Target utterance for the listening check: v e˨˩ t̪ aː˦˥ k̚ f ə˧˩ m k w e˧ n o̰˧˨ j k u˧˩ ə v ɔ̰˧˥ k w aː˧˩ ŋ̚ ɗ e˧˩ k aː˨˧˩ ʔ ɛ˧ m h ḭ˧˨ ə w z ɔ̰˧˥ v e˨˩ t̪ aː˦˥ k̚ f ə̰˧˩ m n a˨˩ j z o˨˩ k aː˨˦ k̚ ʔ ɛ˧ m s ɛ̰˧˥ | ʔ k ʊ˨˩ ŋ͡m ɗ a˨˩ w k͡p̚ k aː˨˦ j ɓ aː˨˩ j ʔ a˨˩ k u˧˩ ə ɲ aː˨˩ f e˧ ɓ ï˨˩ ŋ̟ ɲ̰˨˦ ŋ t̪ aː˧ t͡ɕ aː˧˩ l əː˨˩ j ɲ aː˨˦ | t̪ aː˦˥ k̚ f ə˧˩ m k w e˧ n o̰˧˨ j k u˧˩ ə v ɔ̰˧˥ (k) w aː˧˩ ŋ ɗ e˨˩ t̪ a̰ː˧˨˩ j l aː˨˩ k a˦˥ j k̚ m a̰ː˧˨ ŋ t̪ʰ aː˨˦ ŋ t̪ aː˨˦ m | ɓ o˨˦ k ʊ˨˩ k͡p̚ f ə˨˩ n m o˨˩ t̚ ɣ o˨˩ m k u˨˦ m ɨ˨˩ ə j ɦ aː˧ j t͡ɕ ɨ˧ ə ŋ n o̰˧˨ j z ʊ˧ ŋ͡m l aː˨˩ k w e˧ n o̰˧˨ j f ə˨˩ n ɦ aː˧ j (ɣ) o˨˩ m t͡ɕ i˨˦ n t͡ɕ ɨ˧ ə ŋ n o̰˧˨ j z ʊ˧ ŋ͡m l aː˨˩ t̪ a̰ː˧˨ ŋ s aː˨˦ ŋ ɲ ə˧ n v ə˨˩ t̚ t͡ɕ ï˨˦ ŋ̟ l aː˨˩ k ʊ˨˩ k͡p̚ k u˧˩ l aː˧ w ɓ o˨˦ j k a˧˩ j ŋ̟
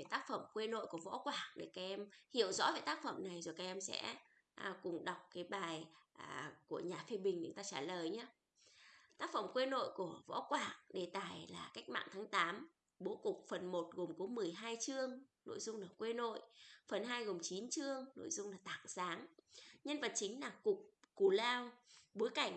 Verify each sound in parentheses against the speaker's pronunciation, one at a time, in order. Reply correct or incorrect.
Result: correct, correct

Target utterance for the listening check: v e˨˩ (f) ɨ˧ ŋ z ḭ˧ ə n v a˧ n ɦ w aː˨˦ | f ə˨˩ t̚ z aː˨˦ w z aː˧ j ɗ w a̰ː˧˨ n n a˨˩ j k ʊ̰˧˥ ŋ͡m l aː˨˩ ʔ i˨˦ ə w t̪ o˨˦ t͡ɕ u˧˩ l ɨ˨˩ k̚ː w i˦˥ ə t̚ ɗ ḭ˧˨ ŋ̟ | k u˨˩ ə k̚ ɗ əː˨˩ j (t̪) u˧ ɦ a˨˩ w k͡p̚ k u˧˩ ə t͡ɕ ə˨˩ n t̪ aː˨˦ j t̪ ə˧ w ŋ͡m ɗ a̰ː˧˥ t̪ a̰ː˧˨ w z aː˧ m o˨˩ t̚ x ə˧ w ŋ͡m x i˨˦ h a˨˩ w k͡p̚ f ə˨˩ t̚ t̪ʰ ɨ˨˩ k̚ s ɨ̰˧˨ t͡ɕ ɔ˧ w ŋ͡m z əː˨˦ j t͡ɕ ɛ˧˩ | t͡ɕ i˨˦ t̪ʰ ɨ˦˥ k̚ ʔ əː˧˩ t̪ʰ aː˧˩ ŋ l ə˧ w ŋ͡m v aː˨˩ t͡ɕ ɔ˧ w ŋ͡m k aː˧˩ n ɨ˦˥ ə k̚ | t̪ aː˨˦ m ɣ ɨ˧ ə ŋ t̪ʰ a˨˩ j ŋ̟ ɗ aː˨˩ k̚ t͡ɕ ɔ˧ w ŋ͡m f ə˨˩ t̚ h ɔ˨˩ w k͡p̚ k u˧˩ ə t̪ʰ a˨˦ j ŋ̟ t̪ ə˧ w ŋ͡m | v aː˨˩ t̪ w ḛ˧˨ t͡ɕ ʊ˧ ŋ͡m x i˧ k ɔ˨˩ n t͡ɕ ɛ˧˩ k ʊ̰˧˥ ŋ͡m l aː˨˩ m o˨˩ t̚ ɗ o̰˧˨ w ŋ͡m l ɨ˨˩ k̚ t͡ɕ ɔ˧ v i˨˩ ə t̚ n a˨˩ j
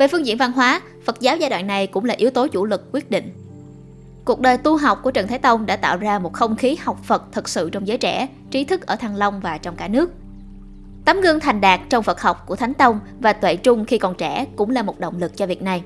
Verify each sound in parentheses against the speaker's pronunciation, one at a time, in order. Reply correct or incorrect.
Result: correct, correct

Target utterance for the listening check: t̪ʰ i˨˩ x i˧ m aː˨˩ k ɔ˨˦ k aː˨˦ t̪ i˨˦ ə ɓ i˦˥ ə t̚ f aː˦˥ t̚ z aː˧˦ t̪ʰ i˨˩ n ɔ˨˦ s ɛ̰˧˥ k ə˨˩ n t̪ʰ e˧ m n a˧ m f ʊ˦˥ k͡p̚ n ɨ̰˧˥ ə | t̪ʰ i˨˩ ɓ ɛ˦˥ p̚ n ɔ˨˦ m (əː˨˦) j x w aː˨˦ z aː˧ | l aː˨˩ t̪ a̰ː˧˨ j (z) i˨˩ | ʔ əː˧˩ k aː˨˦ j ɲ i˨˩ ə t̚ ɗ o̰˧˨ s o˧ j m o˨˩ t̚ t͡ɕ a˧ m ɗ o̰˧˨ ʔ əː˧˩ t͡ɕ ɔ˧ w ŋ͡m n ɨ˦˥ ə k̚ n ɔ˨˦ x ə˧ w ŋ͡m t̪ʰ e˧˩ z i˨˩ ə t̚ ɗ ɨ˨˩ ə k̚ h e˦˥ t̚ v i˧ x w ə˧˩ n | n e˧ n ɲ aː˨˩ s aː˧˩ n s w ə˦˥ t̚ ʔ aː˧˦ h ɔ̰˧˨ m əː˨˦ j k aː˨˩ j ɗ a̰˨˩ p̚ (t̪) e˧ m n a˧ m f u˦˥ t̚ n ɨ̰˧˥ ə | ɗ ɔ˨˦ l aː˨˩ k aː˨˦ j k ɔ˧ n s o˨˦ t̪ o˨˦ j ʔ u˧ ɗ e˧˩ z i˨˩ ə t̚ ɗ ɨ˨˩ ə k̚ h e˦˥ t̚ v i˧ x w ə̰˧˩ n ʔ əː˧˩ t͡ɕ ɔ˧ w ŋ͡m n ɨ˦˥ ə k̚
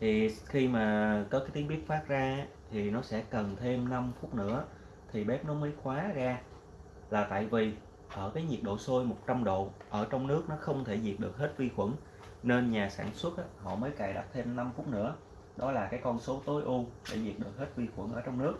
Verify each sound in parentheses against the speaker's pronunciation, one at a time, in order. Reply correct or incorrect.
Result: correct, incorrect: v, incorrect: t̪ʰ

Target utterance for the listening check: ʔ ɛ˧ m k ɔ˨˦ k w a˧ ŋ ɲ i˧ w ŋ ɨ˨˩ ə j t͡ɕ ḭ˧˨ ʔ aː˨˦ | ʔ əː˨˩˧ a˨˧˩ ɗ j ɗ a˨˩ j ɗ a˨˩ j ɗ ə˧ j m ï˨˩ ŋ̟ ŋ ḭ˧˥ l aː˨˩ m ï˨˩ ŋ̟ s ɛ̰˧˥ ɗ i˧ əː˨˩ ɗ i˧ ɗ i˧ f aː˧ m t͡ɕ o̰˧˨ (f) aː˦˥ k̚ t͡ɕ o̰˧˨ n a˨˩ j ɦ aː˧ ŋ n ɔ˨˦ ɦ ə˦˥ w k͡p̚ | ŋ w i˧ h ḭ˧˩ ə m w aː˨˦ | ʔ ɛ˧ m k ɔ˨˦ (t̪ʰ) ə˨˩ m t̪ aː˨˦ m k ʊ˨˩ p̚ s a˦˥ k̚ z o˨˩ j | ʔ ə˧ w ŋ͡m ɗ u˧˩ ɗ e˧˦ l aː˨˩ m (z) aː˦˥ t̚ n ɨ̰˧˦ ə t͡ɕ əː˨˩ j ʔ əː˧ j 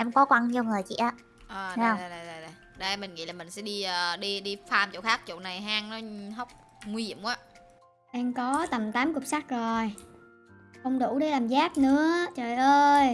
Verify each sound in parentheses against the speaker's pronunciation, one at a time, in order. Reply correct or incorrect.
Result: incorrect: x, incorrect: t̪, correct

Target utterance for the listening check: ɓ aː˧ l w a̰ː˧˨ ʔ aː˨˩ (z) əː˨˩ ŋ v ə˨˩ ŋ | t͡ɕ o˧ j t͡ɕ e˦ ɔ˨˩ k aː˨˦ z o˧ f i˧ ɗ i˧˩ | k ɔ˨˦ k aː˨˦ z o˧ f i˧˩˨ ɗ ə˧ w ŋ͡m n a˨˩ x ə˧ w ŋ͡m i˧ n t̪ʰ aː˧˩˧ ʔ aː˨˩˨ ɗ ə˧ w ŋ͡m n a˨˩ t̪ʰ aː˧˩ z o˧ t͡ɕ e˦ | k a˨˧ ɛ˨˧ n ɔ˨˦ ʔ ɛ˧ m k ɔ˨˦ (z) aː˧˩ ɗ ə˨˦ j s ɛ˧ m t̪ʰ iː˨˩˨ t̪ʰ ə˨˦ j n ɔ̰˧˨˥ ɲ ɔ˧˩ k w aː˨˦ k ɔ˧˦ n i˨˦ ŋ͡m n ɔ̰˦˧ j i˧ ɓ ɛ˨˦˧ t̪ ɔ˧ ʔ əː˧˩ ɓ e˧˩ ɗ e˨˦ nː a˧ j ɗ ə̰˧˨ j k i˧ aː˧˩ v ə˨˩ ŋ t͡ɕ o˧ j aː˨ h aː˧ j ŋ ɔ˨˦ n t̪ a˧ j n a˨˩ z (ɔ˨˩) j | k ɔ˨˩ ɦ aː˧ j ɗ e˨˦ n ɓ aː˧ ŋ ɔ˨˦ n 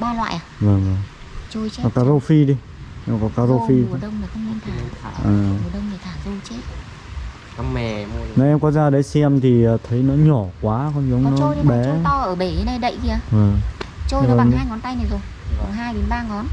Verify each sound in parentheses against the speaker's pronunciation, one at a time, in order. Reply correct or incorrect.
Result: incorrect: v, correct, incorrect: o˨˩

